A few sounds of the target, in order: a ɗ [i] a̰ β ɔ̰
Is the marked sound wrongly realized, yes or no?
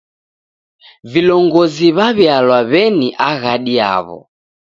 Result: no